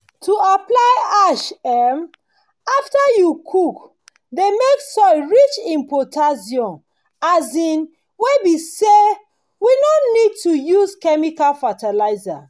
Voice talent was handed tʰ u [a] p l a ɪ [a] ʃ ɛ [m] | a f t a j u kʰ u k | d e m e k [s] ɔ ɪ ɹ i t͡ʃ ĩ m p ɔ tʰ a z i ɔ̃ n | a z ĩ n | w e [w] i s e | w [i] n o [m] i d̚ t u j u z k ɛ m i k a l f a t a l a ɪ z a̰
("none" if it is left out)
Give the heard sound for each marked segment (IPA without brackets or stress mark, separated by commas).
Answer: a, a, m, s, b, i, n